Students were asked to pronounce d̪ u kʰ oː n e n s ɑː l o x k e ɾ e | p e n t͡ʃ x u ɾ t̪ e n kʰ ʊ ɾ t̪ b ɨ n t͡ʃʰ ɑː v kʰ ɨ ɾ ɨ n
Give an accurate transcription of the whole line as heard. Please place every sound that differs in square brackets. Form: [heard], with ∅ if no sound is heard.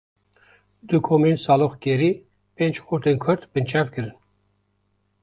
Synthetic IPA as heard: d̪ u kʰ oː [m] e n s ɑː l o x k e ɾ [i] | p e n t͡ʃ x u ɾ t̪ e n kʰ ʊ ɾ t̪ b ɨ n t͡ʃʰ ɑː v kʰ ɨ ɾ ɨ n

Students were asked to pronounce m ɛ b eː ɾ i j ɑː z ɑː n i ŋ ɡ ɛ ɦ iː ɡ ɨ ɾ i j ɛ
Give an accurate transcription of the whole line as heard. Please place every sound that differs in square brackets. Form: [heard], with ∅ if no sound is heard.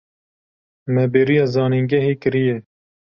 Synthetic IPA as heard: m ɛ b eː ɾ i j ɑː z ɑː n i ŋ ɡ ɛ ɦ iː [k] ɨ ɾ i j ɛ

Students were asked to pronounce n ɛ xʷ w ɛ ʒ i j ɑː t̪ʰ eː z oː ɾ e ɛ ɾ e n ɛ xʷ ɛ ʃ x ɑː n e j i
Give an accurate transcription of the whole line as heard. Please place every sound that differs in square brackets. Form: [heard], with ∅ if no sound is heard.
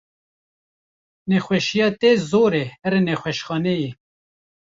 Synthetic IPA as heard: n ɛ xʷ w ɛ [ʃ] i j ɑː [t̪] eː z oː ɾ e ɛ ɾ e n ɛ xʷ ɛ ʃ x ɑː n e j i

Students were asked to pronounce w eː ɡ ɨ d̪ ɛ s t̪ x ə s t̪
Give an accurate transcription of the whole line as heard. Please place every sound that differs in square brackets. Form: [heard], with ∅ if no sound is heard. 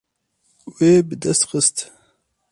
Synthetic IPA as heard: w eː [b] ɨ d̪ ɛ s t̪ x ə s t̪

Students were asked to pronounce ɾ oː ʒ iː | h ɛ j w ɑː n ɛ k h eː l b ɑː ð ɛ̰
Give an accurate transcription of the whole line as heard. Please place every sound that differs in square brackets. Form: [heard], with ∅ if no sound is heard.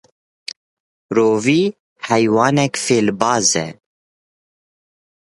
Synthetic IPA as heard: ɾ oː [v] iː | h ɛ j w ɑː n ɛ k [f] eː l b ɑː [z] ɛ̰

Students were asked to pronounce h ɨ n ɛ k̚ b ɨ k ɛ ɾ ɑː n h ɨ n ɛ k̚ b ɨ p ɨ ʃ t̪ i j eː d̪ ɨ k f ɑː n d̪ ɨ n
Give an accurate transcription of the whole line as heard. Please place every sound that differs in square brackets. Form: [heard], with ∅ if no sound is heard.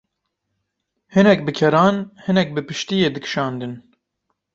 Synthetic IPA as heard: h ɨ n ɛ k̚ b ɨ [kʰ] ɛ ɾ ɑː n h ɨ n ɛ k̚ b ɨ p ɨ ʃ t̪ i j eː d̪ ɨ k [ʃ] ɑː n d̪ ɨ n

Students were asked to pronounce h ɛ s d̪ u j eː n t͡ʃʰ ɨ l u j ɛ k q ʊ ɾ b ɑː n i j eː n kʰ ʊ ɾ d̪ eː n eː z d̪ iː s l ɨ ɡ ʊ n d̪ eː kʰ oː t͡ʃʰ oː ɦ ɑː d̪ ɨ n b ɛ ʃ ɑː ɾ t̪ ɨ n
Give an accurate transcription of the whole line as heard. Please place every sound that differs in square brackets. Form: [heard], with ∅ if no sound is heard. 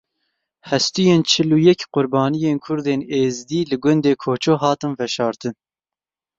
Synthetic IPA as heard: h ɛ s [t̪] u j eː n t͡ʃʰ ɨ l u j ɛ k q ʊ ɾ b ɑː n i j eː n kʰ ʊ ɾ d̪ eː n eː z d̪ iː [∅] l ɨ ɡ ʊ n d̪ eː kʰ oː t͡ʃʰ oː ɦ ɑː [t̪] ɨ n [v] ɛ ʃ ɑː ɾ t̪ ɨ n

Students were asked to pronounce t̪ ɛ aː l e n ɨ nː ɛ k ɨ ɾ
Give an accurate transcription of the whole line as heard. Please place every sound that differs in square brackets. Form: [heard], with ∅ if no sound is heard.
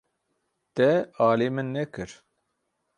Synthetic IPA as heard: t̪ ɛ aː l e [m] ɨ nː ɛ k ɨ ɾ

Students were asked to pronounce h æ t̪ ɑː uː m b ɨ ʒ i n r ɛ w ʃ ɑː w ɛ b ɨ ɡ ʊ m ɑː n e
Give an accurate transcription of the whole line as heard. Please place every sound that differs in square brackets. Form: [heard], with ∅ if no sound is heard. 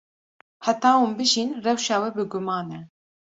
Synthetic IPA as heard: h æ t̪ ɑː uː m b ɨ ʒ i n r ɛ w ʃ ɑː w ɛ b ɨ ɡ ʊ m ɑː n [ɛ]

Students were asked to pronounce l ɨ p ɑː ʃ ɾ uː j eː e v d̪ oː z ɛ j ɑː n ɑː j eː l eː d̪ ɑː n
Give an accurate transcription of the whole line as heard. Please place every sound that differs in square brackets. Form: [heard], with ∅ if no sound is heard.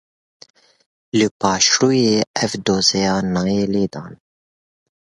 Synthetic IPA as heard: l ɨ p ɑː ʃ ɾ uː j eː [ɛ] v d̪ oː z ɛ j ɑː n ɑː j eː l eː d̪ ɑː n

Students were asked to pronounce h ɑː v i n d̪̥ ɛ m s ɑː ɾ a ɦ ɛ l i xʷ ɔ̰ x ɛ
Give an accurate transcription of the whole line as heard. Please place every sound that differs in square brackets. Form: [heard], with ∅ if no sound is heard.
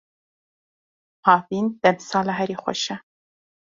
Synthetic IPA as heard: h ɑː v i n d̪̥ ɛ m s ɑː [l] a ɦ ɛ [ɾ] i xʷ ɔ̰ [ʃ] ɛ

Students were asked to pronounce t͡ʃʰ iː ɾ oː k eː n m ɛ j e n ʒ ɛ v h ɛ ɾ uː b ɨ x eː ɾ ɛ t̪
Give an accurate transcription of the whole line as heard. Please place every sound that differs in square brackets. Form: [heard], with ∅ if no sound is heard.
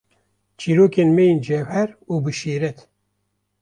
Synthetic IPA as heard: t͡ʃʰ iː ɾ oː k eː n m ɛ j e n [d͡ʒ] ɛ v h ɛ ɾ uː b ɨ [ʃ] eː ɾ ɛ t̪

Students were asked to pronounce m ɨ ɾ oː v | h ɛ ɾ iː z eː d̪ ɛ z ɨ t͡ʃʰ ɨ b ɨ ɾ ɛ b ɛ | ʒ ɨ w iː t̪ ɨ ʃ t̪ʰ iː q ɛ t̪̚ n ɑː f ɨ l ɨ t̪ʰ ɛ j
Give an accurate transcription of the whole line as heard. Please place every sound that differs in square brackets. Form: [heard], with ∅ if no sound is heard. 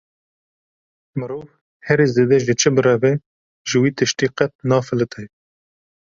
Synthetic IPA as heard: m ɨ ɾ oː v | h ɛ ɾ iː z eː d̪ ɛ [ʒ] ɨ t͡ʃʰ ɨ b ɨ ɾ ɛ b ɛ | ʒ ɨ w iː t̪ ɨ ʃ [t̪] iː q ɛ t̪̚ n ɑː f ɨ l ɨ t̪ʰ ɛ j

